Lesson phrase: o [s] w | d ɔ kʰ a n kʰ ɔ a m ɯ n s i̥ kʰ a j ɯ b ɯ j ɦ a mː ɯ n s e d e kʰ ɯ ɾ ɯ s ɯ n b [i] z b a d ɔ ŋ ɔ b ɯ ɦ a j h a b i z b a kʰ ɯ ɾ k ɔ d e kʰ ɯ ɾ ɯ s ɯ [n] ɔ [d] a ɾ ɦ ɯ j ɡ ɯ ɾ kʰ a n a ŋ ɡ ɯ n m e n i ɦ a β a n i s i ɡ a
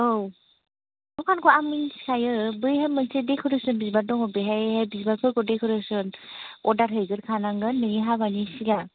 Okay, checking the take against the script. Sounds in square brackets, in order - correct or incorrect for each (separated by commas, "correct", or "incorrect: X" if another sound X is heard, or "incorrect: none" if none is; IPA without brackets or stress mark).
incorrect: none, correct, correct, correct